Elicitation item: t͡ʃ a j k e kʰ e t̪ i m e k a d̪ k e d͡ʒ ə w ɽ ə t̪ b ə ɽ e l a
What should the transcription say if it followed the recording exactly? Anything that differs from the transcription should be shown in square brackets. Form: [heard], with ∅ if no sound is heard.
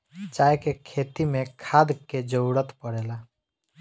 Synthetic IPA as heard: t͡ʃ a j k e kʰ e t̪ i m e [kʰ] a d̪ k e d͡ʒ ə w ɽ ə t̪ [p] ə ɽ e l a